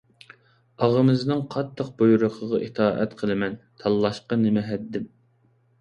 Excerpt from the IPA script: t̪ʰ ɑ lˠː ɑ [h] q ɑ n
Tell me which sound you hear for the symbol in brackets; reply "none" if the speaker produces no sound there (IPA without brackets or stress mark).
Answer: ʃ